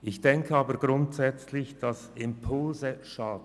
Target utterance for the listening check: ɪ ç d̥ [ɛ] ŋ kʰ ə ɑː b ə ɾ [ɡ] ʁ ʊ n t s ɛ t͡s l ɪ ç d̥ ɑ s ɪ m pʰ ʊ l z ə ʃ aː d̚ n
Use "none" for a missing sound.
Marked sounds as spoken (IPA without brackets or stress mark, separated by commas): ɛ, ɡ